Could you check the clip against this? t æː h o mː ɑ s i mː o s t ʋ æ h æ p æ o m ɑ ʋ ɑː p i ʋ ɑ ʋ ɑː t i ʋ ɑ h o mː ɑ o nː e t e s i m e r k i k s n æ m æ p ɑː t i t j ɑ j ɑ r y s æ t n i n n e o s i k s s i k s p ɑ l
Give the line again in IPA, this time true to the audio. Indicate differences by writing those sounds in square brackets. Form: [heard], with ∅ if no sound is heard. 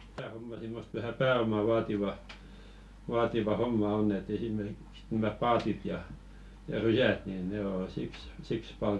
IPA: t æː h o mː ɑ s i mː o s t ʋ æ h æ p [æː] o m ɑ ʋ ɑː [t] i ʋ ɑ ʋ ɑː t i ʋ ɑ h o mː ɑ o nː e t e s i m e r k i k s n æ m æ p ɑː t i t j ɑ j ɑ r y s æ t n i n n e o s i k s s i k s p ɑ l